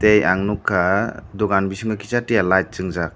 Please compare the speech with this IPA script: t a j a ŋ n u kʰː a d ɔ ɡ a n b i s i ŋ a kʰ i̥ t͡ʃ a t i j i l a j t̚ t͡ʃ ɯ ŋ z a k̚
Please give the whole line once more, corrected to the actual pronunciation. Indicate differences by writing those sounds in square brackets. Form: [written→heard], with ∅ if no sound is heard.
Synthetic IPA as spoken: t [a→e] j a ŋ n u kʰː a d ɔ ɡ a n b i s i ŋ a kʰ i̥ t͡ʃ a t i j [i→a] l a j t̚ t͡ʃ ɯ ŋ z a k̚